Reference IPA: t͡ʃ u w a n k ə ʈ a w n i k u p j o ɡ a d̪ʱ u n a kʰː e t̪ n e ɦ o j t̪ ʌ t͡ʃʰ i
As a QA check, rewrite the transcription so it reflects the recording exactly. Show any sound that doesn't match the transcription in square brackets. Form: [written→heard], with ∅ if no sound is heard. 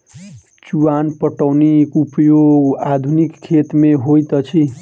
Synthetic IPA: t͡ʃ u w a n [k→p] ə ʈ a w n i k u p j o ɡ a d̪ʱ u n [a→i] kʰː e t̪ [n→m] e ɦ o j t̪ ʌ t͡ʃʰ i